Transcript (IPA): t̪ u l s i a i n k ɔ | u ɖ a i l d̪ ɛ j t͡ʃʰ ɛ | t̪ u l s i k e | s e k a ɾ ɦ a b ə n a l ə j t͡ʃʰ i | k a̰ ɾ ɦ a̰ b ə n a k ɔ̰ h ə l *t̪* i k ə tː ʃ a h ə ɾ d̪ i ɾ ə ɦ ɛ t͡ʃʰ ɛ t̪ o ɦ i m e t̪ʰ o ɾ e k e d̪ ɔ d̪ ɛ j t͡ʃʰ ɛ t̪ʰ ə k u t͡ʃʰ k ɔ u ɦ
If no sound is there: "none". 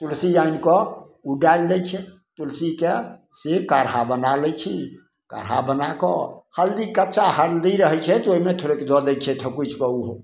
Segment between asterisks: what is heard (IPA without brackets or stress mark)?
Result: d̪